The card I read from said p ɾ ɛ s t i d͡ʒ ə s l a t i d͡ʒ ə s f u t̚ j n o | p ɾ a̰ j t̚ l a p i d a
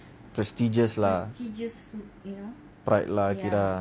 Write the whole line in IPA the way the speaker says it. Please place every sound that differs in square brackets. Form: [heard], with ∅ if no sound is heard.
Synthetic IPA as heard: p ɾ ɛ s t i d͡ʒ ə s l a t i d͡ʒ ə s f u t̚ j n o | p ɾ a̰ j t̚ l a [k] i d a